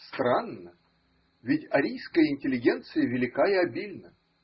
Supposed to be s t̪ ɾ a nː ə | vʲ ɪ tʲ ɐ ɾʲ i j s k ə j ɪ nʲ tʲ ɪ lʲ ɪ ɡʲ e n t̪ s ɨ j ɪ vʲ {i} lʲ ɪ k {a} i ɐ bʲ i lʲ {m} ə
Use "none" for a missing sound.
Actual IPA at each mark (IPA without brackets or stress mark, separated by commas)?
ɪ, a, n